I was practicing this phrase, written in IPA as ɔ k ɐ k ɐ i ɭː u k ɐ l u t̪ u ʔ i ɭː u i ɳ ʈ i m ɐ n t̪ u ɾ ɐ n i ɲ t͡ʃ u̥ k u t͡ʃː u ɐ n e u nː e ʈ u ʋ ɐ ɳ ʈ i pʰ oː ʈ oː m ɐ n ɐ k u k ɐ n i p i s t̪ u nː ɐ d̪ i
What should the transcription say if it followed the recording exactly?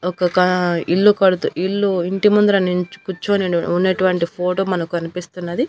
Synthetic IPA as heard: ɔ k ɐ k ɐ i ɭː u k ɐ ɽ u t̪ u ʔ i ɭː u i ɳ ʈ i m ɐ n d̪ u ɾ ɐ n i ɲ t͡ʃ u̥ k u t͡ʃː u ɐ n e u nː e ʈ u ʋ ɐ ɳ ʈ i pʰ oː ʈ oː m ɐ n ɐ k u k ɐ n i p i s t̪ u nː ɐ d̪ i

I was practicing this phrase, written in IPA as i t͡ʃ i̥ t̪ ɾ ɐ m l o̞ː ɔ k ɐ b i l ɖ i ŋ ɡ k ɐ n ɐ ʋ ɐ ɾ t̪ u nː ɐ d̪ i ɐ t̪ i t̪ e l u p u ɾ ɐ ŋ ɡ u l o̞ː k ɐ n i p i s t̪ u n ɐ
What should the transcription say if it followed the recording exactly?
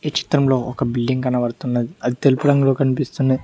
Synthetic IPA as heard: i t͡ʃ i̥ t̪ ɾ ɐ m l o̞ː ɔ k ɐ b i l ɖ i ŋ ɡ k ɐ n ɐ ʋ ɐ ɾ t̪ u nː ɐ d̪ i ɐ d̪ i t̪ e l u p u ɾ ɐ ŋ ɡ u l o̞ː k ɐ n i p i s t̪ u n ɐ

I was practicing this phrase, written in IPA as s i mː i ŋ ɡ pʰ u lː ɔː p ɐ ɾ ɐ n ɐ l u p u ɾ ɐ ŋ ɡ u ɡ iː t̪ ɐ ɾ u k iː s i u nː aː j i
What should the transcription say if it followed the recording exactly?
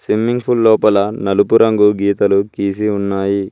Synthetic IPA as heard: s i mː i ŋ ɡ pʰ u lː ɔː p ɐ l ɐ n ɐ l u p u ɾ ɐ ŋ ɡ u ɡ iː t̪ ɐ l u k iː s i u nː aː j i

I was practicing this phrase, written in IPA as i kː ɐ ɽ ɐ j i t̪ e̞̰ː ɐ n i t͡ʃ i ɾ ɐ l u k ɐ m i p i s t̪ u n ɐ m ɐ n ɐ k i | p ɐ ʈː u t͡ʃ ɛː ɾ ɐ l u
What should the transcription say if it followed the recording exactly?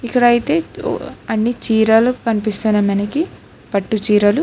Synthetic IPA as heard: i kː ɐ ɽ ɐ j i t̪ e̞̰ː ɐ nː i t͡ʃ iː ɾ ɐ l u k ɐ n i p i s t̪ u n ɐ m ɐ n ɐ k i | p ɐ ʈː u t͡ʃ iː ɾ ɐ l u

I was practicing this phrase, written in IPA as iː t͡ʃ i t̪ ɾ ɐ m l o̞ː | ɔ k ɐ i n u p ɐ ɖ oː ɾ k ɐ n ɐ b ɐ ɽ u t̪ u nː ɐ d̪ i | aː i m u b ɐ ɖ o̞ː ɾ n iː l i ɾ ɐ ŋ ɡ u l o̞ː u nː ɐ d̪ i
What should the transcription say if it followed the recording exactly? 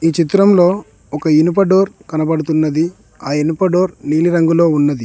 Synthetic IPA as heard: iː t͡ʃ i t̪ ɾ ɐ m l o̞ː | ɔ k ɐ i n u p ɐ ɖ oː ɾ k ɐ n ɐ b ɐ ɽ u t̪ u nː ɐ d̪ i | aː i n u p ɐ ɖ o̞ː ɾ n iː l i ɾ ɐ ŋ ɡ u l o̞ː u nː ɐ d̪ i

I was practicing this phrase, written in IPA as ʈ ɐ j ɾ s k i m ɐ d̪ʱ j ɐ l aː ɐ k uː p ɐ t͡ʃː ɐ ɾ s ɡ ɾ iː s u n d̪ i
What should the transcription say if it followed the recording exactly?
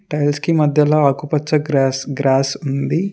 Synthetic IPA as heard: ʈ ɐ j l s k i m ɐ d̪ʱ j ɐ l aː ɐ k u p ɐ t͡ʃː ɐ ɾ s ɡ ɾ aː s u n d̪ i

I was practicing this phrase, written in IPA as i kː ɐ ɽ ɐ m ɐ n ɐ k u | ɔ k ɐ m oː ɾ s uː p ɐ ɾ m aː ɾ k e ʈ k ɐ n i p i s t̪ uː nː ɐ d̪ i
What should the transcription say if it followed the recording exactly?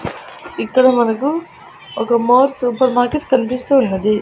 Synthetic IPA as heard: i kː ɐ ɽ ɐ m ɐ n ɐ k u | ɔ k ɐ m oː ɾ s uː p ɐ ɾ m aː ɾ k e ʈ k ɐ n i p i s t̪ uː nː ɐ d̪ i

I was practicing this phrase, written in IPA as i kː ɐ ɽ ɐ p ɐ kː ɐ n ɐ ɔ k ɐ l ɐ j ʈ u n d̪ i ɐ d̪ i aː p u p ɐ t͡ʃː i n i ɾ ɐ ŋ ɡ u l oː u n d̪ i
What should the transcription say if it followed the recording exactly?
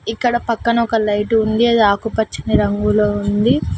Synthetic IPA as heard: i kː ɐ ɽ ɐ p ɐ kː ɐ n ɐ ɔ k ɐ l ɐ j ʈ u n d̪ i ɐ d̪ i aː k u p ɐ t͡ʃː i n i ɾ ɐ ŋ ɡ u l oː u n d̪ i

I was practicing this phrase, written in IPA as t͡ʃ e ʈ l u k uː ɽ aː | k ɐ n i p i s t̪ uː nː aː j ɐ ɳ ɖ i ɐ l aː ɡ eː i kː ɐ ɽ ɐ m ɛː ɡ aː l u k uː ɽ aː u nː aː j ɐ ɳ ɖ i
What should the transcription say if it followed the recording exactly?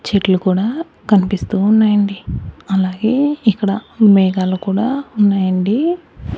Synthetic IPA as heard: t͡ʃ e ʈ l u k uː ɽ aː | k ɐ n i p i s t̪ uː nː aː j ɐ ɳ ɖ i ɐ l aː ɡ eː i kː ɐ ɽ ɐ m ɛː ɡ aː l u k uː ɽ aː u nː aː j ɐ ɳ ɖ i

